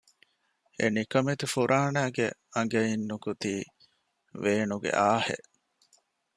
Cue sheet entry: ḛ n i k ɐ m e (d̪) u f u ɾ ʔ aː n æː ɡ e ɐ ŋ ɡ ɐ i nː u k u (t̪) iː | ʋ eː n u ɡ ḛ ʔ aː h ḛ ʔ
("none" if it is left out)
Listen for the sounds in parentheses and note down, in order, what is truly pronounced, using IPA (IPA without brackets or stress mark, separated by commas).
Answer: t̪, t̪